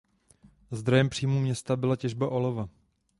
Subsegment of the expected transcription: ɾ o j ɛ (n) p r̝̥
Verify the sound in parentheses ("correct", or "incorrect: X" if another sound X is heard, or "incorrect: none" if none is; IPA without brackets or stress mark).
incorrect: m